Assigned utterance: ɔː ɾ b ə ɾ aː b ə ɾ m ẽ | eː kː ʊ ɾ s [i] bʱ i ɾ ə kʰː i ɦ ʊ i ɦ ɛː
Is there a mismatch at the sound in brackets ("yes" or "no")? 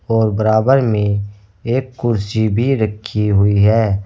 no